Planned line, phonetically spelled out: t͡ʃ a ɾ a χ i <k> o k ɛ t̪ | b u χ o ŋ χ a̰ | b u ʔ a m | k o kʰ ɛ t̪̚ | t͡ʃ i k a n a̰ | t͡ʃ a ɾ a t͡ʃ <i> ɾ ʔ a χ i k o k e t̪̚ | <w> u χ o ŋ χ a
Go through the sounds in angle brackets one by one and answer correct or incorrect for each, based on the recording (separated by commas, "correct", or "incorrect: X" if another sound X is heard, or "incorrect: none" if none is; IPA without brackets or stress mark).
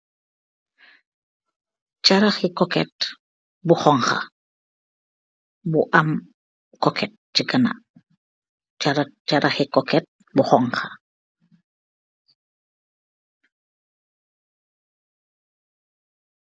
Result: correct, incorrect: a, incorrect: b